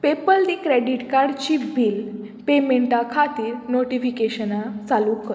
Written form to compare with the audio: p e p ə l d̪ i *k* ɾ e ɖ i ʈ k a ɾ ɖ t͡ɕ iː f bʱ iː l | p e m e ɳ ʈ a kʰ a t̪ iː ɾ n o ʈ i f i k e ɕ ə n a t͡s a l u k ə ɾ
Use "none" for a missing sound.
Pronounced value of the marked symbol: k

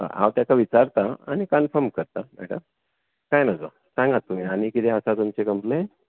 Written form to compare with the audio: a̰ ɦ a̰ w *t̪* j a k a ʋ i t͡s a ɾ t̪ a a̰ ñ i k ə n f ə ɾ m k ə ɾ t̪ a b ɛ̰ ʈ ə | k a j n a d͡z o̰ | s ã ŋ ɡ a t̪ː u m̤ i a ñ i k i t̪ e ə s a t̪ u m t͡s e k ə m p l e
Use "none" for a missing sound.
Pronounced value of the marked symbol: t̪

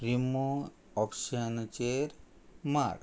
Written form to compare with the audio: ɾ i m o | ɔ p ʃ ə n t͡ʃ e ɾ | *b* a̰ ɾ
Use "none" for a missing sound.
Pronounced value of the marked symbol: m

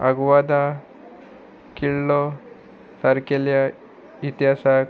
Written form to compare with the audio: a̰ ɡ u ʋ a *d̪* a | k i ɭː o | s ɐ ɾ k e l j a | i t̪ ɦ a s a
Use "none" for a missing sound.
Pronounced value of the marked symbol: d̪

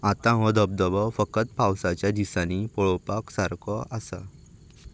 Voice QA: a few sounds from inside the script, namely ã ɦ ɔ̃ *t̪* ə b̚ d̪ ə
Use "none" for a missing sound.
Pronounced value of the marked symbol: d̪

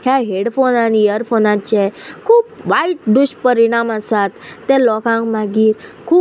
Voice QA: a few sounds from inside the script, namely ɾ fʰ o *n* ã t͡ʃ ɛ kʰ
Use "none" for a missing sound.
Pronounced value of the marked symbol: n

